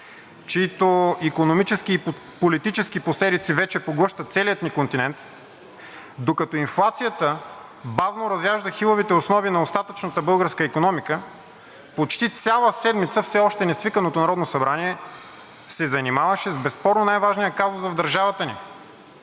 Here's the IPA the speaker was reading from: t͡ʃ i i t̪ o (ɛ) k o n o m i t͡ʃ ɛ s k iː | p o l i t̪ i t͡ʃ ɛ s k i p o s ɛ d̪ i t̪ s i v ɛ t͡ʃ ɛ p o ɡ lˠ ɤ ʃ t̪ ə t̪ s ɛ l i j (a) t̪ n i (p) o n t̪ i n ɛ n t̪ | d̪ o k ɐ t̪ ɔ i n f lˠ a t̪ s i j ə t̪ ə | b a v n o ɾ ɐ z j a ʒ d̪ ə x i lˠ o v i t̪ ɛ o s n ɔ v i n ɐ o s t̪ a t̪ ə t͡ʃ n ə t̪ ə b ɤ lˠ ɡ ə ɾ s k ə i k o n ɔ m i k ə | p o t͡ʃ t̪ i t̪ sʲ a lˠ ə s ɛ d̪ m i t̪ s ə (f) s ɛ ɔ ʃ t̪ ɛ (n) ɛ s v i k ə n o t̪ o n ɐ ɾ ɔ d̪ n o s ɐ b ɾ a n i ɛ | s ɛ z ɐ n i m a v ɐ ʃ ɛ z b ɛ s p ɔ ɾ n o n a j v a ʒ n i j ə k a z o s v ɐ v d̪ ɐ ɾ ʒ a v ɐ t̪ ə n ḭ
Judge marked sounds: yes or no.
no, no, no, yes, yes

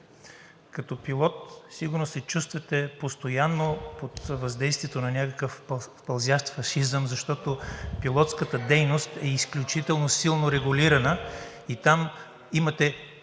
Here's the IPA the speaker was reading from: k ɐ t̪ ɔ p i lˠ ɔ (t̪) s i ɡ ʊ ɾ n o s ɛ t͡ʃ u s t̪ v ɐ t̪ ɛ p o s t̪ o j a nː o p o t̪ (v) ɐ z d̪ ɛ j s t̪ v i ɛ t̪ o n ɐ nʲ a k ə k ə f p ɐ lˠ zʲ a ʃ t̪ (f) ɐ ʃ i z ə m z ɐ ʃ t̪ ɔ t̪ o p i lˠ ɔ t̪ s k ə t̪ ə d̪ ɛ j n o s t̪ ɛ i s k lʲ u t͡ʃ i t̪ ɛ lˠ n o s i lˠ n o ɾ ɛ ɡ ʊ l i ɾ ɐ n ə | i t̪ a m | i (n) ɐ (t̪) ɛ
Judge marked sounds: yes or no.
yes, yes, yes, no, yes

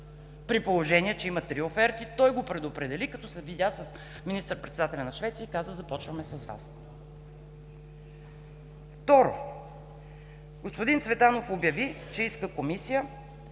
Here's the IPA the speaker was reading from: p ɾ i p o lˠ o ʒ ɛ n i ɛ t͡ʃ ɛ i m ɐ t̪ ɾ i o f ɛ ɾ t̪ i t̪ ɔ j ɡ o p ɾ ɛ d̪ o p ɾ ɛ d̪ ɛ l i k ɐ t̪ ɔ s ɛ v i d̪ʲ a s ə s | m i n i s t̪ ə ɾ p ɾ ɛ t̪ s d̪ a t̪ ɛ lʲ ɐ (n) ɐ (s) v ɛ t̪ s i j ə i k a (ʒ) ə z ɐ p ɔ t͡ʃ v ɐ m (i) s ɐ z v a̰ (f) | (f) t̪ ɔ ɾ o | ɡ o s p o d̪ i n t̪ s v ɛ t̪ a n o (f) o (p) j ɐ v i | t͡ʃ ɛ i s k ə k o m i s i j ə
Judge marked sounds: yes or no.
yes, no, no, no, no, yes, yes, no

